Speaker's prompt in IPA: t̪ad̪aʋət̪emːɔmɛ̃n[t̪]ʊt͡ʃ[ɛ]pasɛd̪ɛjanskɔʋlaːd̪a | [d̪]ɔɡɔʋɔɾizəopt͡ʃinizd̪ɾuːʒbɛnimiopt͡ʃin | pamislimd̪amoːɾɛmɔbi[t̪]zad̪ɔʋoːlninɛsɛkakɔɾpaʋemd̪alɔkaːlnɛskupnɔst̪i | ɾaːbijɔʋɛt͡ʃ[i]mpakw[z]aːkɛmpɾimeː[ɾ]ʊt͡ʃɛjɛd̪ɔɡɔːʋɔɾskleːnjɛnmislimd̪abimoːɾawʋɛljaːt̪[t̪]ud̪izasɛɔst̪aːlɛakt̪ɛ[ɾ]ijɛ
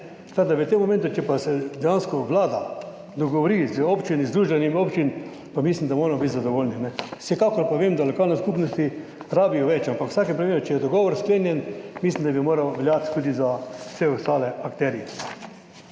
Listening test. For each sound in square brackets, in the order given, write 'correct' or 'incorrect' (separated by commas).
correct, correct, correct, correct, incorrect, incorrect, correct, correct, correct